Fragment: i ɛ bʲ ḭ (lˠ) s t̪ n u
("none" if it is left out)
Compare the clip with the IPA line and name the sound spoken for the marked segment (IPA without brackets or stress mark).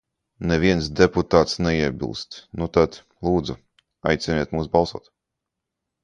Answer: lˠ